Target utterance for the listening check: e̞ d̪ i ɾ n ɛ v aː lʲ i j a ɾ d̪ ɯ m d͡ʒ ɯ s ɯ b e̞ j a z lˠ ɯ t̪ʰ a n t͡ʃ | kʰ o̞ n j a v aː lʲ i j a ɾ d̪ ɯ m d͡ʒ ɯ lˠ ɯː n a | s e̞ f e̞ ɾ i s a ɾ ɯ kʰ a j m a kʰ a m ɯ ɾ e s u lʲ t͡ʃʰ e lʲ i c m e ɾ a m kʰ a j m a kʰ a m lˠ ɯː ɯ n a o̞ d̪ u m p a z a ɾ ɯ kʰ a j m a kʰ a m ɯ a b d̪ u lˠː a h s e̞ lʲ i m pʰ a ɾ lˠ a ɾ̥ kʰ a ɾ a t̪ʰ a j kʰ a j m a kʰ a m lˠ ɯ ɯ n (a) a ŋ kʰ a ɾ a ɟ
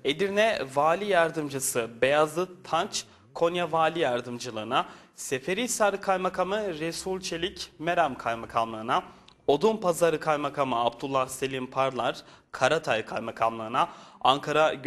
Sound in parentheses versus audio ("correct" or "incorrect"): correct